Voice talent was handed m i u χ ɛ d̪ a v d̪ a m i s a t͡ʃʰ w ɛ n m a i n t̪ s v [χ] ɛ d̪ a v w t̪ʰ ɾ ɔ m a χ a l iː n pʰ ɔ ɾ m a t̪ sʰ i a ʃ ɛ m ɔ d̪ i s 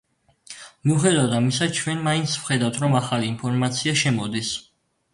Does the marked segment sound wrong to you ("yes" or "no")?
no